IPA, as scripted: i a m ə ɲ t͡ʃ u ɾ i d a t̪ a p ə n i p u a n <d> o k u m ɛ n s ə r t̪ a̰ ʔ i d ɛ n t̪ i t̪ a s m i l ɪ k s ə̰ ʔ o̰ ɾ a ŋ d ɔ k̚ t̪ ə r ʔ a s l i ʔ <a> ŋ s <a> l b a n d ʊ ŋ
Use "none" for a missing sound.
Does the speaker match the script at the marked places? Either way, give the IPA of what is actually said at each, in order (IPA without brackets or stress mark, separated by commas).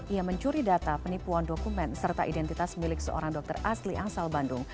d, a, a